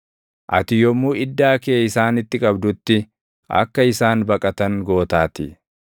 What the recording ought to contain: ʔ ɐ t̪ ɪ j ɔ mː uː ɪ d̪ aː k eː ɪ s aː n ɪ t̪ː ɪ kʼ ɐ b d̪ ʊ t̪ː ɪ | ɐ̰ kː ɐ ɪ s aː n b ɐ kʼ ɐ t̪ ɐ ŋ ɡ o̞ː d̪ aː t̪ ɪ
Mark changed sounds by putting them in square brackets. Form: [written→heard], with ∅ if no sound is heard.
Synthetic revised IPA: ʔ ɐ t̪ ɪ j ɔ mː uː ɪ [d̪→d̪ː] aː k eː ɪ s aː n ɪ t̪ː ɪ kʼ ɐ b d̪ ʊ t̪ː ɪ | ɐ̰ kː ɐ ɪ s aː n b ɐ kʼ ɐ t̪ ɐ ŋ ɡ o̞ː [d̪→t̪] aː t̪ ɪ